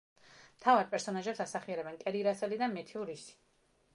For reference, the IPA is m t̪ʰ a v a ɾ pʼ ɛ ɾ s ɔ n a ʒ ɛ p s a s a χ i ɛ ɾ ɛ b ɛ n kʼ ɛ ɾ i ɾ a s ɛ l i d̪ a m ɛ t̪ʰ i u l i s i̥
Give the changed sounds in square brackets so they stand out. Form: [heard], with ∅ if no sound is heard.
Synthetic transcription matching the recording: m t̪ʰ a v a ɾ pʼ ɛ ɾ s ɔ n a ʒ ɛ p s a s a χ i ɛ ɾ ɛ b ɛ n kʼ ɛ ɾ i ɾ a s ɛ l i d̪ a m ɛ t̪ʰ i u [ɾ] i s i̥